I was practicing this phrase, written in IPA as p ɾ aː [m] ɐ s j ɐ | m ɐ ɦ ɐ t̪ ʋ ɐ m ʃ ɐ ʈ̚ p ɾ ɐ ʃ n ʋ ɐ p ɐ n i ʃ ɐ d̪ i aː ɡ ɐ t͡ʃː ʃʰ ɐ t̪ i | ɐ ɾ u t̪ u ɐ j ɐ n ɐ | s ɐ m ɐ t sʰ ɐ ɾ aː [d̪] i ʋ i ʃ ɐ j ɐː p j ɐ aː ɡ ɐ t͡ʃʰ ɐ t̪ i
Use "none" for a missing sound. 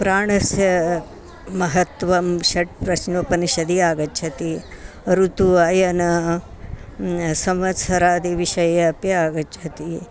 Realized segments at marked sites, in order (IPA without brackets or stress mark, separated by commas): ɳ, d̪